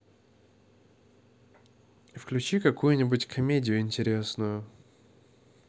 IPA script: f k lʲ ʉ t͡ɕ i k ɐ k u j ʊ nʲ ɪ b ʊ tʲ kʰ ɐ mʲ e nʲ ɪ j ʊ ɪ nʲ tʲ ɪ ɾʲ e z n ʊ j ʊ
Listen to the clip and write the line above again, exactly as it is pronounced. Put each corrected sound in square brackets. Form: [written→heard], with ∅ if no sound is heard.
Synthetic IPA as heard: f k lʲ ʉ t͡ɕ i k ɐ k u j ʊ nʲ ɪ b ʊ tʲ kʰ ɐ mʲ e [nʲ→dʲ] ɪ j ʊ ɪ nʲ tʲ ɪ ɾʲ e [z→s] n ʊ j ʊ

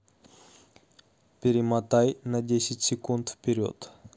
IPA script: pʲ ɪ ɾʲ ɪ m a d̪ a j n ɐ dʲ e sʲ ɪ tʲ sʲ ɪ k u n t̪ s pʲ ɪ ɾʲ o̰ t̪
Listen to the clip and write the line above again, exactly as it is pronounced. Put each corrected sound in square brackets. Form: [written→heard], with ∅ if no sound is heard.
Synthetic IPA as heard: pʲ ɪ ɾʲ ɪ m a [d̪→t̪] a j n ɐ dʲ e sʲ ɪ tʲ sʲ ɪ k u n t̪ [s→f] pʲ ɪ ɾʲ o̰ t̪

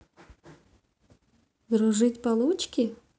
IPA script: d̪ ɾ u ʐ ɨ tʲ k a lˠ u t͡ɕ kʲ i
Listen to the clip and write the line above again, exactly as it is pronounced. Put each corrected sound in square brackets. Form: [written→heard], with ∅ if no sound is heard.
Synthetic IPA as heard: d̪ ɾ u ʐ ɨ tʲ [k→p] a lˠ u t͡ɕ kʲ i

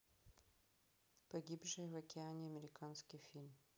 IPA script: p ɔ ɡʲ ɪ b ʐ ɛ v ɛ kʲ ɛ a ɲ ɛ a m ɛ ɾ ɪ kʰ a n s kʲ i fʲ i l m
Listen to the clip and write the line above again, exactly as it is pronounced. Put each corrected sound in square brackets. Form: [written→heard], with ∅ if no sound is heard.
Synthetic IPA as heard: p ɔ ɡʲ [ɪ→i] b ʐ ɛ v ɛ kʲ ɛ a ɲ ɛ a m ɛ ɾ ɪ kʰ a n s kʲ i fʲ i l m

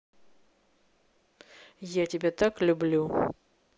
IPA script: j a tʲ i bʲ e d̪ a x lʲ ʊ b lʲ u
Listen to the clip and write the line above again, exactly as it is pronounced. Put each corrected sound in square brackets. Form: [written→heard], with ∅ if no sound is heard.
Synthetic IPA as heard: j a tʲ [i→ɪ] bʲ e [d̪→t̪] a [x→k] lʲ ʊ b lʲ u

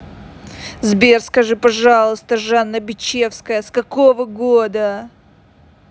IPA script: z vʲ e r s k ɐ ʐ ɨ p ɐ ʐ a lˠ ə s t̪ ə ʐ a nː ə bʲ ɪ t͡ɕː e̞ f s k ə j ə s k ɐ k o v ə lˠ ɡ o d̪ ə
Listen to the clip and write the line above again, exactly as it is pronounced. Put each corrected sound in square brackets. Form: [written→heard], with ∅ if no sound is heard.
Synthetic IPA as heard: z [vʲ→bʲ] e r s k ɐ ʐ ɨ p ɐ ʐ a lˠ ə s t̪ ə ʐ a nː ə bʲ ɪ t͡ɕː e̞ f s k ə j ə s k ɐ k o v ə [lˠ→∅] ɡ o d̪ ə

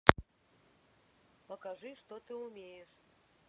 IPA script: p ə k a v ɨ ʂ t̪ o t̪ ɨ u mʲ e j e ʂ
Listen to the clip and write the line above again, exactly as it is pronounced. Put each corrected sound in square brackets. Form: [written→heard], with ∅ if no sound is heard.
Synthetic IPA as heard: p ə k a [v→ʐ] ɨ ʂ t̪ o t̪ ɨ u mʲ e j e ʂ

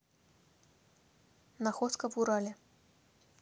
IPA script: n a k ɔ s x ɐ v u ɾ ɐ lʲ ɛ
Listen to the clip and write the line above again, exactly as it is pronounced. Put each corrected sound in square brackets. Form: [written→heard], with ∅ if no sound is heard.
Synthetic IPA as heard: n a [k→x] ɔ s [x→k] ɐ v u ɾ [ɐ→a] lʲ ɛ

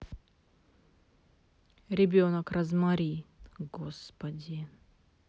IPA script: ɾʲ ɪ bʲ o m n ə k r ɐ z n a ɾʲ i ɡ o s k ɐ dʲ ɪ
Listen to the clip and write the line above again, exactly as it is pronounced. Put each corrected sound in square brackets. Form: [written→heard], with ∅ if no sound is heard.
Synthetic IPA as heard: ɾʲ ɪ bʲ o [m→∅] n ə k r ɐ z [n→m] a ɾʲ i ɡ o s [k→p] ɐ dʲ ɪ

